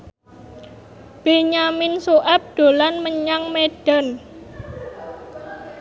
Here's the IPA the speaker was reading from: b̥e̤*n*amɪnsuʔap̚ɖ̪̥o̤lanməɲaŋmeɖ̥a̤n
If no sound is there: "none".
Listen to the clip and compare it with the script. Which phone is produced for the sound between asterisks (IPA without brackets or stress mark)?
ɲ